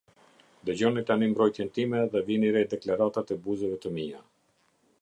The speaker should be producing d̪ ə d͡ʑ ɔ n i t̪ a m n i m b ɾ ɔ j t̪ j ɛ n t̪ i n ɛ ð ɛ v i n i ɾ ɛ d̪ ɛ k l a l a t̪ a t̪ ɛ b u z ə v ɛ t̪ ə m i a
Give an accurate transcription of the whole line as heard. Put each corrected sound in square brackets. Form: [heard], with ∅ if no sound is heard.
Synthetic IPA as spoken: d̪ ə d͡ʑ ɔ n i t̪ a [∅] n i m b ɾ ɔ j t̪ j ɛ n t̪ i [m] ɛ ð ɛ v i n i ɾ ɛ d̪ ɛ k l a [ɾ] a t̪ a t̪ ɛ b u z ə v ɛ t̪ ə m i a